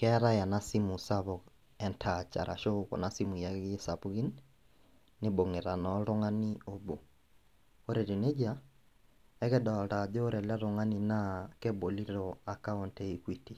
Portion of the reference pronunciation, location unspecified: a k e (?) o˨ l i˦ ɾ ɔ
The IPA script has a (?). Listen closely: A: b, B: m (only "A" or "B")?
A